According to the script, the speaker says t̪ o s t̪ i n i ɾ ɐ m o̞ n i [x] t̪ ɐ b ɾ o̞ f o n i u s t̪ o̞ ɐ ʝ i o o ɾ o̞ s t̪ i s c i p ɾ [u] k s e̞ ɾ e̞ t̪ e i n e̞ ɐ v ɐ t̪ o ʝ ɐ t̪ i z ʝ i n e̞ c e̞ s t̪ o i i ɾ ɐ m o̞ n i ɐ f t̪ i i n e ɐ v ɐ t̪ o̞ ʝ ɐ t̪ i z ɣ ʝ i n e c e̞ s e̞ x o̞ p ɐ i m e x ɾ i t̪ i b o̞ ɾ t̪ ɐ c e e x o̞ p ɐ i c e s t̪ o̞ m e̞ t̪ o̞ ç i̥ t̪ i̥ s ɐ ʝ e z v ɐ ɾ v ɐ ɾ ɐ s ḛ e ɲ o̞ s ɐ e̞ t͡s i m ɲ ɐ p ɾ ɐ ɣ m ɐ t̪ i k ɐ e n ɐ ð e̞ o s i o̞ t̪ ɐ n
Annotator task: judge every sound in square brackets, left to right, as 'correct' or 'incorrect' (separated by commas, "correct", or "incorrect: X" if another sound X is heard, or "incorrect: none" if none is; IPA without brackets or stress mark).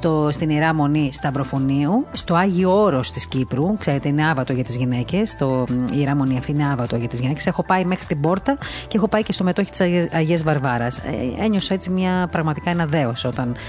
incorrect: s, correct